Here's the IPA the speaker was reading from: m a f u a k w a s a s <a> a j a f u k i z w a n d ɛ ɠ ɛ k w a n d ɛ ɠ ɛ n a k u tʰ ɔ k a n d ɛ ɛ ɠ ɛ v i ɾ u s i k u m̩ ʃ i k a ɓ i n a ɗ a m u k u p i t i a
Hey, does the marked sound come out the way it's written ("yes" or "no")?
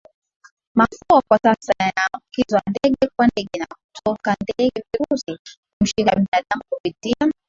yes